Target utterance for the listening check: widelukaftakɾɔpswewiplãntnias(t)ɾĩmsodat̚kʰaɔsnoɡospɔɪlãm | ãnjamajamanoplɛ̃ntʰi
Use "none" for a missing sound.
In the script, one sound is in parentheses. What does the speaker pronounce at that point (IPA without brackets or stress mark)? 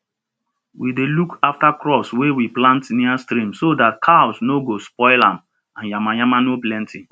t